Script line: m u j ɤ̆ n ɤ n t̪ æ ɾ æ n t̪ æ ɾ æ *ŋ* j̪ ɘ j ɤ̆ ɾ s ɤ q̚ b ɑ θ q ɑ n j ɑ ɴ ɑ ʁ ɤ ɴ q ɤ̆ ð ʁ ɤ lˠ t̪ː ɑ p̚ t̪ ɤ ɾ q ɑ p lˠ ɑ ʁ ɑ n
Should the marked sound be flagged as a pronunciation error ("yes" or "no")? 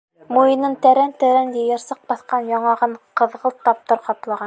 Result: yes